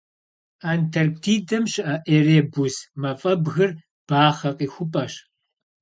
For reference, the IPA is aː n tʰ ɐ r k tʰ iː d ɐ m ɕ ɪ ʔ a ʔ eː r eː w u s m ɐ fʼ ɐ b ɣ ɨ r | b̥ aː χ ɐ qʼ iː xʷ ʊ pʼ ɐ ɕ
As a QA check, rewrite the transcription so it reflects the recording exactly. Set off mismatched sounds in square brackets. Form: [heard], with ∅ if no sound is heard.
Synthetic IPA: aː n tʰ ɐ r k tʰ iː d ɐ m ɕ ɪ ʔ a ʔ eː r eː [b] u s m ɐ fʼ ɐ b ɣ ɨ r | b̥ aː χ ɐ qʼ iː xʷ ʊ pʼ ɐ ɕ